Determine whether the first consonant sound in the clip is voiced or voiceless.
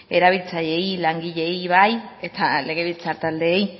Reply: voiced